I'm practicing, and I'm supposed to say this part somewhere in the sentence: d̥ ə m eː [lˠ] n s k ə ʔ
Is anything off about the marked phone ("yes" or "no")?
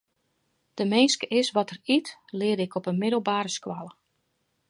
yes